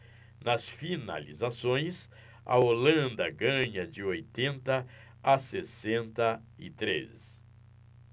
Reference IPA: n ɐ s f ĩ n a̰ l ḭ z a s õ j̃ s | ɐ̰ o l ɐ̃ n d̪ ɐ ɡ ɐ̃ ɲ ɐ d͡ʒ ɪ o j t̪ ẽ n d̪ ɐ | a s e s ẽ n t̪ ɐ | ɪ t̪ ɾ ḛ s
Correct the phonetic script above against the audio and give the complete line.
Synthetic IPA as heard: n ɐ s f i n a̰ l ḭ z a s õ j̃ s | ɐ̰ o l ɐ̃ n d̪ ɐ ɡ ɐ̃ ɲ ɐ d͡ʒ ɪ o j t̪ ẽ n t̪ ɐ | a s e s ẽ n t̪ ɐ | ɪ t̪ ɾ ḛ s